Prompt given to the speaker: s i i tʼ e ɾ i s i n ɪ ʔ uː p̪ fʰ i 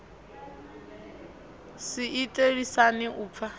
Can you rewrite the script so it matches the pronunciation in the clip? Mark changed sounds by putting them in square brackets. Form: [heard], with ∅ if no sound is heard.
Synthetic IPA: s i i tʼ e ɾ i s [a] n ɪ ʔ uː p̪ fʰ [a]